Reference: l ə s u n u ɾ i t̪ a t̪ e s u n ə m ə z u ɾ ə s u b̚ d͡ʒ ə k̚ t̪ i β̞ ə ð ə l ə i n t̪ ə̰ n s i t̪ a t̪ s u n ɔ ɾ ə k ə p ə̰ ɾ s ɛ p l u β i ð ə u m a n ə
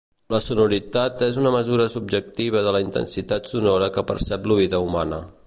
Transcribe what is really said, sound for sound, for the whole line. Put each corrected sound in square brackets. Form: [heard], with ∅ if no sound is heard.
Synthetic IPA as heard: l ə s u n u ɾ i t̪ a t̪ e [z] u n ə m ə z u ɾ ə s u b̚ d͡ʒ ə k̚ t̪ i β̞ ə ð ə l ə i n t̪ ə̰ n s i t̪ a t̪ s u n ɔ ɾ ə k ə p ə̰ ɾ s ɛ p l u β i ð ə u m a n ə